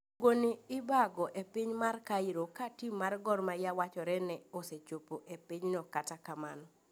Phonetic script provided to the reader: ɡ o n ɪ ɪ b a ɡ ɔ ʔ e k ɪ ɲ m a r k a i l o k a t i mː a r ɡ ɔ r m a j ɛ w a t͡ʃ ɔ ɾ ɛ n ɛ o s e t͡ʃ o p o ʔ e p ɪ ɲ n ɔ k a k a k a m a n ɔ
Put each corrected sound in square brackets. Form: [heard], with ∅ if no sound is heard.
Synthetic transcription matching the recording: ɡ o n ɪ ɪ b a ɡ ɔ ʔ e [p] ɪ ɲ m a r k a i [ɾ] o k a t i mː a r ɡ ɔ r m a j [a] w a t͡ʃ ɔ ɾ ɛ n ɛ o s e t͡ʃ o p o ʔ e p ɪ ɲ n ɔ k a [t] a k a m a n ɔ